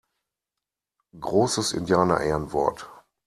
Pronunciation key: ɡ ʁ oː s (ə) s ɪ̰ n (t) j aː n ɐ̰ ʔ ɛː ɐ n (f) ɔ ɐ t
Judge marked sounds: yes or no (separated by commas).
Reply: yes, no, no